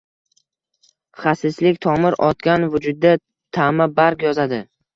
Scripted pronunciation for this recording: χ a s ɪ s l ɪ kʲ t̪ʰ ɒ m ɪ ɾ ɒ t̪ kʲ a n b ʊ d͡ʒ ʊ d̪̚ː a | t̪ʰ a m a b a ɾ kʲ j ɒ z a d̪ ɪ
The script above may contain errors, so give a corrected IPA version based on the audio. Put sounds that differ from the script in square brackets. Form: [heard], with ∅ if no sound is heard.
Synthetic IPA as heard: χ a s ɪ s l ɪ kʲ t̪ʰ ɒ m ɪ ɾ ɒ t̪ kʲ a n [v] ʊ d͡ʒ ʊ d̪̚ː a | t̪ʰ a m a b a ɾ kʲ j ɒ z a d̪ ɪ